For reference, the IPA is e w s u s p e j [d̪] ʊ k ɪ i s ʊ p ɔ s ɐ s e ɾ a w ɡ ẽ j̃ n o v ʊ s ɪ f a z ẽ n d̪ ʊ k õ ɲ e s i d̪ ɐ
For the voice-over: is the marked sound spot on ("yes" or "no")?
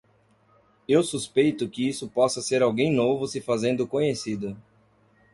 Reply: no